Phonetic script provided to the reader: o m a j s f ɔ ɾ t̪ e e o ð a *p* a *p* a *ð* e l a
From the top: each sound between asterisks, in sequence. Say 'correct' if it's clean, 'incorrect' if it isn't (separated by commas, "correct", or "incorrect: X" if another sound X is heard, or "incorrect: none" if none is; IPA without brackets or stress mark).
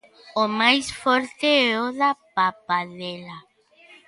correct, correct, correct